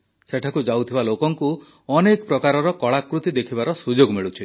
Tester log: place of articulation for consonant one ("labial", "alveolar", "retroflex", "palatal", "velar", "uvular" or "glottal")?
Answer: alveolar